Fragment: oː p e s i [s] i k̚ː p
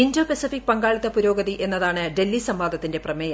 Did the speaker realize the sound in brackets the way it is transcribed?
no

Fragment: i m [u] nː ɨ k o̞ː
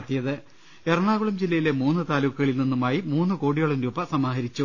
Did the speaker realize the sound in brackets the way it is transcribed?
no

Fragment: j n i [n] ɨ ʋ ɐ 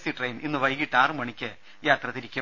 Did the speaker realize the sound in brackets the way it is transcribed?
no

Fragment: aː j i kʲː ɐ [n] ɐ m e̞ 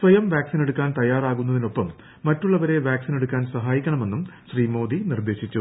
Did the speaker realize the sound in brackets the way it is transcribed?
no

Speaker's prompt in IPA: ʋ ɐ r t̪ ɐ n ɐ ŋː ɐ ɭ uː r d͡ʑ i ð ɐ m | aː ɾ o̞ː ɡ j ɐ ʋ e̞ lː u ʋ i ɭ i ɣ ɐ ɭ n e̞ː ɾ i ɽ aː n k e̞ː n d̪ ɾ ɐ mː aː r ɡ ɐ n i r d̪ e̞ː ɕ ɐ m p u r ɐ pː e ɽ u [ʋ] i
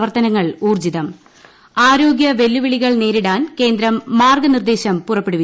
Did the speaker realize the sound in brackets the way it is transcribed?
yes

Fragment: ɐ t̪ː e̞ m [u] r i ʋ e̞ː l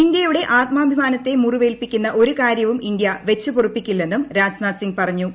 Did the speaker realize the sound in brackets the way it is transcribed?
yes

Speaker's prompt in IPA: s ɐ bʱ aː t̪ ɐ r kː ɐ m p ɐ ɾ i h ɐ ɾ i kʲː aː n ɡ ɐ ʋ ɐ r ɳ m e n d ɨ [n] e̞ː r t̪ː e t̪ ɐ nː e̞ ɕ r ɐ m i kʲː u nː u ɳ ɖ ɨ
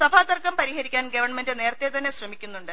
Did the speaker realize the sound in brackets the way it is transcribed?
yes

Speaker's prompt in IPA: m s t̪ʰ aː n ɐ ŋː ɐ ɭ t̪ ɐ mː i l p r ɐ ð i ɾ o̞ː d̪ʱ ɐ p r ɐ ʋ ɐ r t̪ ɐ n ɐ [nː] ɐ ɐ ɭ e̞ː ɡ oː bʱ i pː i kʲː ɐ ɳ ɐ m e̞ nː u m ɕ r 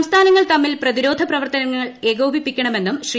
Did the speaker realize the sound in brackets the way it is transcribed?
no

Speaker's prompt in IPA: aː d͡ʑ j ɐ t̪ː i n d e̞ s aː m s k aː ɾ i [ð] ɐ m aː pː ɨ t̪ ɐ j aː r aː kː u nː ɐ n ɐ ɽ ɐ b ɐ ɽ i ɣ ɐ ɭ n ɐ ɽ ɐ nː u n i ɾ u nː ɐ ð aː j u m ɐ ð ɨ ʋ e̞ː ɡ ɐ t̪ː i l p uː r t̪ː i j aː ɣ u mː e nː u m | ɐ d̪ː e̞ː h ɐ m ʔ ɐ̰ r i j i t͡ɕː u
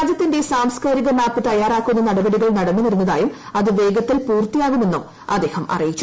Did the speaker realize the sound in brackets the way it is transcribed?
no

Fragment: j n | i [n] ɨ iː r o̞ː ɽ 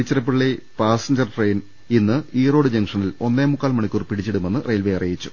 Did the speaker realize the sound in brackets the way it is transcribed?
no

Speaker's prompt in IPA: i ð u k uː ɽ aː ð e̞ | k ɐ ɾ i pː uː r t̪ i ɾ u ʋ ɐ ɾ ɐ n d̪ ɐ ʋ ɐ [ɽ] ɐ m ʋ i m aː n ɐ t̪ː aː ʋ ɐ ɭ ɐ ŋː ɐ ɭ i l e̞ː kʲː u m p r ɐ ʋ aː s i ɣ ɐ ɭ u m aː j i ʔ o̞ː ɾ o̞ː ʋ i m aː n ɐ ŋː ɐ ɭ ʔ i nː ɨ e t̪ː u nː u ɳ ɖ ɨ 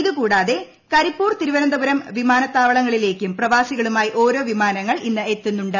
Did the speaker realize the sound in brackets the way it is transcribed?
no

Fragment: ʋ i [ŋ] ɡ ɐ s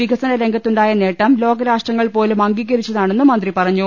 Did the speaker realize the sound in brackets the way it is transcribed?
no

